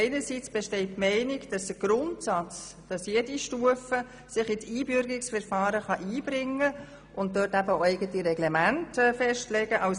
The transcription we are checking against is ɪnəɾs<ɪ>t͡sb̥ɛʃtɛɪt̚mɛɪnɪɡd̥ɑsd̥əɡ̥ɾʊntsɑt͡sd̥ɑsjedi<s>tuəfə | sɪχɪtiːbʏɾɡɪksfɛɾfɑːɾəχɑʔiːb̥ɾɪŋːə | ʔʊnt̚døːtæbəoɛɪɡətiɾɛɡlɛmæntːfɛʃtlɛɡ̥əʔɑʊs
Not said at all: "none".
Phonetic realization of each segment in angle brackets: i, ʃ

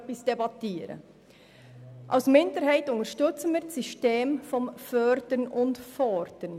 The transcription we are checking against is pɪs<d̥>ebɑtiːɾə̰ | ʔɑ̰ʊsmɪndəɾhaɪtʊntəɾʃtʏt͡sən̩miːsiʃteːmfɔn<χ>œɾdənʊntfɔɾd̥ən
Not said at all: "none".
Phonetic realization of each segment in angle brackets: d̥, f

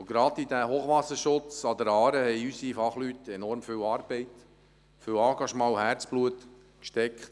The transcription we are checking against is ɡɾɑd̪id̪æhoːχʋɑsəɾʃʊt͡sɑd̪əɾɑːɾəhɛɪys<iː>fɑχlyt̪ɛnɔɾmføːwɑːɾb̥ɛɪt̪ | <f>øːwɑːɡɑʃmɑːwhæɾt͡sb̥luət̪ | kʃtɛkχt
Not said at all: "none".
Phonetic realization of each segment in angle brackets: i, f

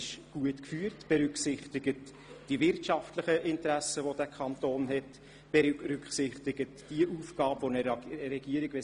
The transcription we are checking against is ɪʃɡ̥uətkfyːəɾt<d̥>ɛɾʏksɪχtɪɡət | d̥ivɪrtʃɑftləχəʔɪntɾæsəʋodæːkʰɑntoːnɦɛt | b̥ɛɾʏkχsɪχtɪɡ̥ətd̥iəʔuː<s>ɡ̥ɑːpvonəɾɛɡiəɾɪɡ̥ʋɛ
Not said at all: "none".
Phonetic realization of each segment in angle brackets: b̥, f

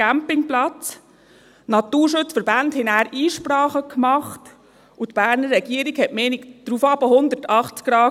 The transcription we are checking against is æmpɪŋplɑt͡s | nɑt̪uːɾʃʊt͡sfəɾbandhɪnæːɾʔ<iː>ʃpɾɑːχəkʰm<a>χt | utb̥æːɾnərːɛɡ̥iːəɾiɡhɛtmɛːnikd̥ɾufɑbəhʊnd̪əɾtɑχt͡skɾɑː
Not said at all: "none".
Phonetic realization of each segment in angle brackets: iː, ɑ

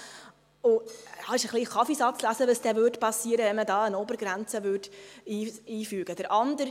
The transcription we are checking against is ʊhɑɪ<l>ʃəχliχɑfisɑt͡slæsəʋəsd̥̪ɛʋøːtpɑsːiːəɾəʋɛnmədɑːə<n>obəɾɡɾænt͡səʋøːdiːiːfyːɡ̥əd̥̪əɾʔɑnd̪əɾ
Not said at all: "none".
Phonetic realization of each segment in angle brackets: none, n

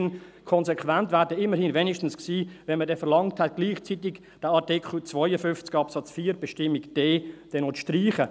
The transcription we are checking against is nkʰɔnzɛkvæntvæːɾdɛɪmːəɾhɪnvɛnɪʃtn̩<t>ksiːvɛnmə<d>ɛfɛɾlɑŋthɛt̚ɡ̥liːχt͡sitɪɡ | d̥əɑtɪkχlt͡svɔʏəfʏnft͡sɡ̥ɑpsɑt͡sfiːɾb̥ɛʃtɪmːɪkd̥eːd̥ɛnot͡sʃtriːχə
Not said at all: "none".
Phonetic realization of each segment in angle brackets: s, d

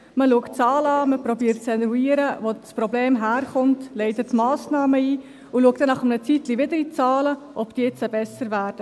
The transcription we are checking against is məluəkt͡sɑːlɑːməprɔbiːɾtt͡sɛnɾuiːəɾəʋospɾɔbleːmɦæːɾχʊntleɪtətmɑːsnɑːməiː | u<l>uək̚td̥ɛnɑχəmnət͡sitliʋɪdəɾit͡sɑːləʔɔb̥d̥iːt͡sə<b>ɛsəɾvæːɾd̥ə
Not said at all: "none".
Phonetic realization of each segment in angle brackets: l, b

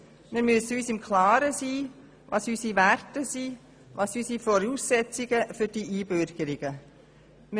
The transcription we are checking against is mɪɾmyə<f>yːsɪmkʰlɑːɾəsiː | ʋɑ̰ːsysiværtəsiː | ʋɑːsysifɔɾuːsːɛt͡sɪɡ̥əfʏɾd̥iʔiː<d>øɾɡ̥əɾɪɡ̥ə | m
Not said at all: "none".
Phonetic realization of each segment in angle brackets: s, b

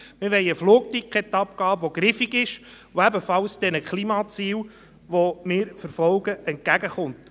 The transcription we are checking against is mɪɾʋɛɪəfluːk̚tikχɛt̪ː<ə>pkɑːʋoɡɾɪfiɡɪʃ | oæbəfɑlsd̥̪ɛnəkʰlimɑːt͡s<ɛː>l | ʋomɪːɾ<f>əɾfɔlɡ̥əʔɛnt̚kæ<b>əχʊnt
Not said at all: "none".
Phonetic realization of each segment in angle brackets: ɑ, iː, f, ɡ

